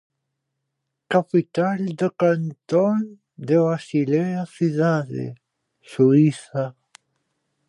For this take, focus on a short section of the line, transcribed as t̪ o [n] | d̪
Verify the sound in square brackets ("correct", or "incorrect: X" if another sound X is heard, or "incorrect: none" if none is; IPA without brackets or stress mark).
correct